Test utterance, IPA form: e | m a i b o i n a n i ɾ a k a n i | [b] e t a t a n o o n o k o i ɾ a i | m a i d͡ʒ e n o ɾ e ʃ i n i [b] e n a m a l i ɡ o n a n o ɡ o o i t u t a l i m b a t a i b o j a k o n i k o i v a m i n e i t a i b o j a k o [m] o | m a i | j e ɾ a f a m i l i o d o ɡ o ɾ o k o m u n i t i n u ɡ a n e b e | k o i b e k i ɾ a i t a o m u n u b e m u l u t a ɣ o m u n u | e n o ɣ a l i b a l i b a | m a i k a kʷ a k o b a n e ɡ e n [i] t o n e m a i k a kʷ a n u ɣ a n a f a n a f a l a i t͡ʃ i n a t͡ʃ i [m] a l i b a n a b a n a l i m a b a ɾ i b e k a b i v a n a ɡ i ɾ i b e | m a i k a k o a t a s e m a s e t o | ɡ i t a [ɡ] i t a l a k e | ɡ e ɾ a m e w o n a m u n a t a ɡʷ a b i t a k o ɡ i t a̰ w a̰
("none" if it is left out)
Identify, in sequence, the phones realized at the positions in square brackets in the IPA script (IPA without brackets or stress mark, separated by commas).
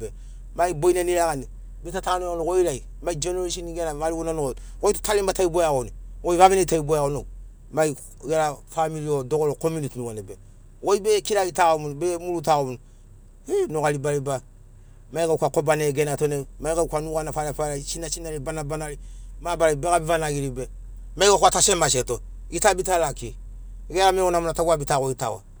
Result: b, ɡ, n, a, n, b